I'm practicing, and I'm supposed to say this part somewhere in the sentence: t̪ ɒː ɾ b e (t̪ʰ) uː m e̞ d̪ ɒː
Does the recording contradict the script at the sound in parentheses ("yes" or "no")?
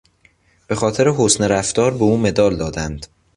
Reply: yes